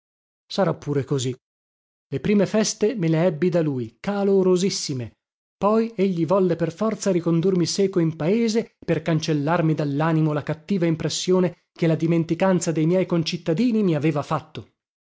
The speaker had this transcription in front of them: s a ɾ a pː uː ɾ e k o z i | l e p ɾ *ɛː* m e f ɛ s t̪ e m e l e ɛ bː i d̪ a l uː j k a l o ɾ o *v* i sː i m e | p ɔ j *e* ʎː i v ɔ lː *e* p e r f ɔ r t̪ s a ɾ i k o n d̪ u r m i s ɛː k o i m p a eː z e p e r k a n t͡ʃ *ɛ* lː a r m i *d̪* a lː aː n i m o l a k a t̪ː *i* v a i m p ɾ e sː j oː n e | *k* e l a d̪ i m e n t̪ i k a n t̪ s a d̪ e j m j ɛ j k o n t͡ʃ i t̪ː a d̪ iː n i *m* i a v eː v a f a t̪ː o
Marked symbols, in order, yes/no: no, no, yes, yes, no, yes, no, yes, yes

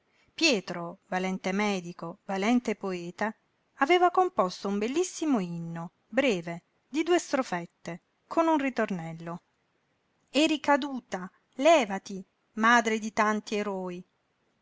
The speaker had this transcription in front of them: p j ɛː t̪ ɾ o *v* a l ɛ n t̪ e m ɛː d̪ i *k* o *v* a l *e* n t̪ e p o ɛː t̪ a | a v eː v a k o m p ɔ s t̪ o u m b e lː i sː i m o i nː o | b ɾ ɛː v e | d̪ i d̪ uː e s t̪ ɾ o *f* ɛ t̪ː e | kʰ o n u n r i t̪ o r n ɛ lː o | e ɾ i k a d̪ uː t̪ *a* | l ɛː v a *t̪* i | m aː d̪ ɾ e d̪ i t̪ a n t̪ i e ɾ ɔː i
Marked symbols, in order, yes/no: yes, yes, yes, no, yes, yes, yes

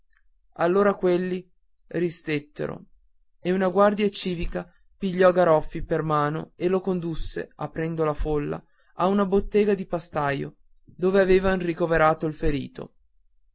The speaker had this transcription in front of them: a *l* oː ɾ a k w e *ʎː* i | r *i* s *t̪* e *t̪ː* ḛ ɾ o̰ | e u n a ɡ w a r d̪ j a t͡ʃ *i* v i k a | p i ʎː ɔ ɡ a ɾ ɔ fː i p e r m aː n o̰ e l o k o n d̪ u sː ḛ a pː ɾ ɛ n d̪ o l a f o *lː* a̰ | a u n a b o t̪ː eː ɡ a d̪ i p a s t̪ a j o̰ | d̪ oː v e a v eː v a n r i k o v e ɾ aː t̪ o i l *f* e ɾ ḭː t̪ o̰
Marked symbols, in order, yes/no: no, no, yes, yes, yes, no, yes, yes

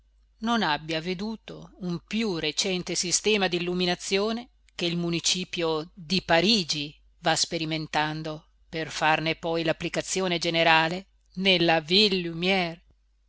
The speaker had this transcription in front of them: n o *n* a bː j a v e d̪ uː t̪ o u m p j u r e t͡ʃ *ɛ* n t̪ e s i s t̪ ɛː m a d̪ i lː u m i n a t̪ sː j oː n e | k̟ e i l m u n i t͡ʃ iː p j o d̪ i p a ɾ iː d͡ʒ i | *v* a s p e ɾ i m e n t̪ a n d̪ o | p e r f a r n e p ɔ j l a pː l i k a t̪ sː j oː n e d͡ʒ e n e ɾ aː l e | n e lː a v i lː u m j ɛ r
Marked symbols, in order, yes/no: yes, yes, yes

